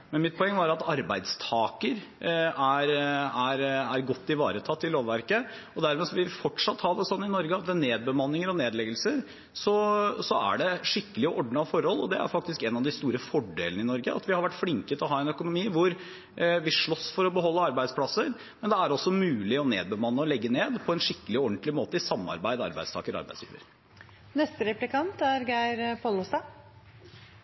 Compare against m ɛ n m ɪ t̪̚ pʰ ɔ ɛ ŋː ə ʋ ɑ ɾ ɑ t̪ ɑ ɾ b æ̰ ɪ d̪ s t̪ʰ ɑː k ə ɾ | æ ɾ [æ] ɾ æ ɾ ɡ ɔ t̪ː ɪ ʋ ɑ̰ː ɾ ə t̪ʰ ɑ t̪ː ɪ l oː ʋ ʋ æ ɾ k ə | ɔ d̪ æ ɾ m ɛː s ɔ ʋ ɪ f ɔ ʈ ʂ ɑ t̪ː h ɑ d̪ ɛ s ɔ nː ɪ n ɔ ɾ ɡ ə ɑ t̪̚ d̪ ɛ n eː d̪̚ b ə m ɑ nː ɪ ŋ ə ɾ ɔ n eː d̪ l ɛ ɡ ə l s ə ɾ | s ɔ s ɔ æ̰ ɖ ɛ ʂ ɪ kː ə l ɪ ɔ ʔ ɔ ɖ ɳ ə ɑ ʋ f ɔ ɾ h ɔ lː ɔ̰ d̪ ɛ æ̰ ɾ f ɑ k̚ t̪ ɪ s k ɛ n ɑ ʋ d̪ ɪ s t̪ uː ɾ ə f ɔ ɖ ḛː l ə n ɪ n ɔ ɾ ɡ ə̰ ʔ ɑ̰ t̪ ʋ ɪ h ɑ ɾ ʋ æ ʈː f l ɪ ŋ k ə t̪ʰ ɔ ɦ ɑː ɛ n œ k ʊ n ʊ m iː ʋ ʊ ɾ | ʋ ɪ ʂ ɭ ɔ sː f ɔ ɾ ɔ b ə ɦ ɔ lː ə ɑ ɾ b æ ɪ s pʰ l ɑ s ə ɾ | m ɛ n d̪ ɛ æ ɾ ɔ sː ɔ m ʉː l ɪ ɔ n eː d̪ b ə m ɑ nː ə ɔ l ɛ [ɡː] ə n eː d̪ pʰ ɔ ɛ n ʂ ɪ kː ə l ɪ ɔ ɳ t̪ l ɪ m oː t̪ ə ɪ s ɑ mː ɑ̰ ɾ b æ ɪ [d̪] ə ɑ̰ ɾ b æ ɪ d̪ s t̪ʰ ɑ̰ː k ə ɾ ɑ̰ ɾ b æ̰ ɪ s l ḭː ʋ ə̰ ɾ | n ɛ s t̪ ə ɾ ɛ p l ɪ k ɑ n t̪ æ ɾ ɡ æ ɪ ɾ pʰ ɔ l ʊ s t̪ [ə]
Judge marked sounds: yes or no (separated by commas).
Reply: yes, yes, yes, no